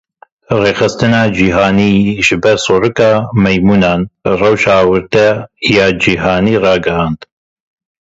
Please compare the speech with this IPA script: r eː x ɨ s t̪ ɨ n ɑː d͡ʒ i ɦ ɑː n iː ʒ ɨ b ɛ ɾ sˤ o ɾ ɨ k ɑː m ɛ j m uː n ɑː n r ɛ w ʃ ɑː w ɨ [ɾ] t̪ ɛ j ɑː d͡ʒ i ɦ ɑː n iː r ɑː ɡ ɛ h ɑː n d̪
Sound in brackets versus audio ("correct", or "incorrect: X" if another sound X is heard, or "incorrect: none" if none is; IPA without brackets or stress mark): correct